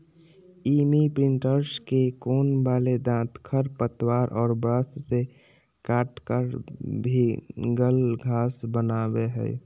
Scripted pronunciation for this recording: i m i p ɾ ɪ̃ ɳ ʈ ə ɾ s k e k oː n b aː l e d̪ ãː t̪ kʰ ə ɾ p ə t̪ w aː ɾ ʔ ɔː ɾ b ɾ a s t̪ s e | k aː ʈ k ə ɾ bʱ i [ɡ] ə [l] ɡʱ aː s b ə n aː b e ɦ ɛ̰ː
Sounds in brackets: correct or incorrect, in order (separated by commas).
correct, correct